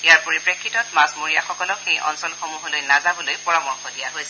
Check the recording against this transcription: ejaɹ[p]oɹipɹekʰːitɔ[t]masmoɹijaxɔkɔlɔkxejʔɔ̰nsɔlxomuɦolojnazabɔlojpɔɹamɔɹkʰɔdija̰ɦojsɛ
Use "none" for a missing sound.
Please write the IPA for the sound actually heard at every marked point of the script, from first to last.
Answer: p, t

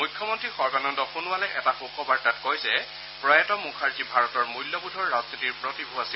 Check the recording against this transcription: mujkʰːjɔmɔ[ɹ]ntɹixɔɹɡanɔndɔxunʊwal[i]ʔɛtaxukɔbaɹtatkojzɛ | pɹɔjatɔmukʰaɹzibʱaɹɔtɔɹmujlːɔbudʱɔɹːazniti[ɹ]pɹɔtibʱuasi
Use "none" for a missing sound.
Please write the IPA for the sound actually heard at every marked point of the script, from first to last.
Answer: none, ɛ, ɹ

